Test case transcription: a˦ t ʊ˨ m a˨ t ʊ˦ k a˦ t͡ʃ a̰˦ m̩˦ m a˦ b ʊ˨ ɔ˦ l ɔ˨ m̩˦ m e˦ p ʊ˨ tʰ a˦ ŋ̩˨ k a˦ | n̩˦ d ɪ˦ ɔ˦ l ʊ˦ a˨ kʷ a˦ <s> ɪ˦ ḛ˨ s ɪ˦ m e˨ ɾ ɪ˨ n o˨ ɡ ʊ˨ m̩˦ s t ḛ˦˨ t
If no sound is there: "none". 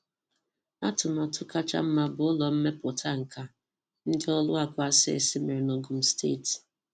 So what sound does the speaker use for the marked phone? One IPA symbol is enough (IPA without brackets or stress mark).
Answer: s